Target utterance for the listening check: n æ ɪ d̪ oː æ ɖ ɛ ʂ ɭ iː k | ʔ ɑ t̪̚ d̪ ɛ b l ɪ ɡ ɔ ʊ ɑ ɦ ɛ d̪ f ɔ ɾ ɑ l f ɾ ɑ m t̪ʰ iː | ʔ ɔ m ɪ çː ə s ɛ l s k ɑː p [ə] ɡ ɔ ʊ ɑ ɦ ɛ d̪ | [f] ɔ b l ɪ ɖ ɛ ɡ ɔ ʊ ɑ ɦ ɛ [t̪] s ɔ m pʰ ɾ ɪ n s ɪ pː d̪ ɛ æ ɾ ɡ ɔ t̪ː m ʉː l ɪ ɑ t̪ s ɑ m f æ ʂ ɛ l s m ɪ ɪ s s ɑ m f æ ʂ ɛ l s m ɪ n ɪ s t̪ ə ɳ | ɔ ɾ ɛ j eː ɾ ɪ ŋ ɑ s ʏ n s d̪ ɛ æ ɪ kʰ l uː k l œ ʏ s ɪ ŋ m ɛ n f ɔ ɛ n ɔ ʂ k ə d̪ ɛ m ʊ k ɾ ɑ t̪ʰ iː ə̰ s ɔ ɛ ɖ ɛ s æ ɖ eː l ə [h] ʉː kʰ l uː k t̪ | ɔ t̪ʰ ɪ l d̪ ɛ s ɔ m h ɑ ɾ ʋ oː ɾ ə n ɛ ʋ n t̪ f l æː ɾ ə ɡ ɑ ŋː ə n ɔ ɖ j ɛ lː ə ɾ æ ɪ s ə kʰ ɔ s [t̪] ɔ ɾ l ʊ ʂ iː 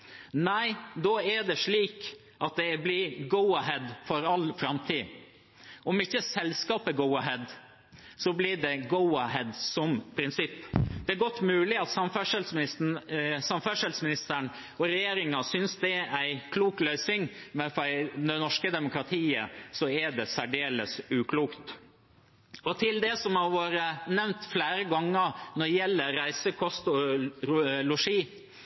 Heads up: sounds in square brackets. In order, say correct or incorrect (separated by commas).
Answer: correct, incorrect, incorrect, incorrect, correct